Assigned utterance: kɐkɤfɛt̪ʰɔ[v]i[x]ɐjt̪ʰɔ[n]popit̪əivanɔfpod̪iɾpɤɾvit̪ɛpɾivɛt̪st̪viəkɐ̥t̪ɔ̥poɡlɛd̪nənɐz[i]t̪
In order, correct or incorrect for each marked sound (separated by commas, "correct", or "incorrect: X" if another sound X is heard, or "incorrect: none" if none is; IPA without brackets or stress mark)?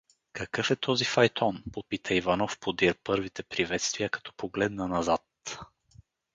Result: incorrect: z, incorrect: f, correct, incorrect: a